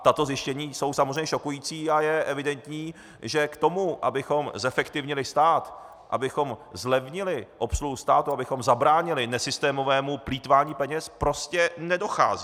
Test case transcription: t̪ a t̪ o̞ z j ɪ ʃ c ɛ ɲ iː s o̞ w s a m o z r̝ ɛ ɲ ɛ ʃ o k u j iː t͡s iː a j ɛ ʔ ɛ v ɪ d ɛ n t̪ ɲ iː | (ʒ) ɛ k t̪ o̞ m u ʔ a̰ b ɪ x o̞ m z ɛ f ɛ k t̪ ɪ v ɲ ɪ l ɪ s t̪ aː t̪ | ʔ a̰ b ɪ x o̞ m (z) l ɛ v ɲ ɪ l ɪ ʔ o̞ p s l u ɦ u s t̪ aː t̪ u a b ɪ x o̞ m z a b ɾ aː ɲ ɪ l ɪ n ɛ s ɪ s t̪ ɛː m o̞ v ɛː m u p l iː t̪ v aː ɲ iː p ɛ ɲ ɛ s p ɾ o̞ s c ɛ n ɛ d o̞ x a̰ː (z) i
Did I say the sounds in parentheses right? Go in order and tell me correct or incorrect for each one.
correct, correct, correct

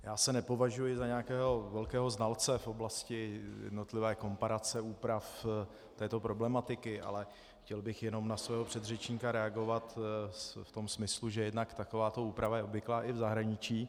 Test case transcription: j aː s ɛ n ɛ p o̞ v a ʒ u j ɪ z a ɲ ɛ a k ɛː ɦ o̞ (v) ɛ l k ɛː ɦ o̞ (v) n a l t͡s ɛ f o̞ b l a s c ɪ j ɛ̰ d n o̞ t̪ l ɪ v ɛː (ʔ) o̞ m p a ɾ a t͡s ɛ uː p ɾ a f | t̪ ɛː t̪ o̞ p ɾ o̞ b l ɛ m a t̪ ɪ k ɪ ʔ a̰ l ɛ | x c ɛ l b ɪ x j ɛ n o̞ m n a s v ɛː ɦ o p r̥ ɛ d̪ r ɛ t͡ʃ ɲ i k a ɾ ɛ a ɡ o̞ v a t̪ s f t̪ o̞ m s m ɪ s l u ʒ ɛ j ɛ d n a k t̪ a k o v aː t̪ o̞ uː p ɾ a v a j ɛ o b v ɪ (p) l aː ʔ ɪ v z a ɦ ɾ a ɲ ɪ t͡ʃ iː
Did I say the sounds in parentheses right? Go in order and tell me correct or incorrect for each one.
correct, incorrect: z, incorrect: k, incorrect: k

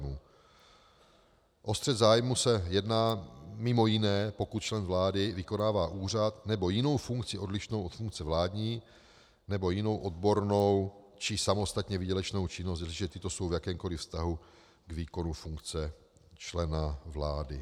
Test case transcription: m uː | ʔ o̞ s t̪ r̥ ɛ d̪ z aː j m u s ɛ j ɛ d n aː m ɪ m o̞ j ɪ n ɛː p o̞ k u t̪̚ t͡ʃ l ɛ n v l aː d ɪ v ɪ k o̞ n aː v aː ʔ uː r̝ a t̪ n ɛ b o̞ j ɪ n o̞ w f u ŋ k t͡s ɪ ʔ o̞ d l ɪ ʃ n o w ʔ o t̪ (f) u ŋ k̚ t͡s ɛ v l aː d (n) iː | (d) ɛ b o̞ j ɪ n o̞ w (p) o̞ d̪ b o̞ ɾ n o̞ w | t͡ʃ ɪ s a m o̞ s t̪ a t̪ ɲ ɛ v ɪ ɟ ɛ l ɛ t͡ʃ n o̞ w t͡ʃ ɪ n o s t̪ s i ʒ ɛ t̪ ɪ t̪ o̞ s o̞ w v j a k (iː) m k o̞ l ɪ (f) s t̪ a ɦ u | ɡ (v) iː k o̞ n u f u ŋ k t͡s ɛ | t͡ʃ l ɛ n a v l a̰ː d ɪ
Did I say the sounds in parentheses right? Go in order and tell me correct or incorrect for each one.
correct, incorrect: ɲ, incorrect: n, incorrect: ʔ, incorrect: ɛː, correct, correct

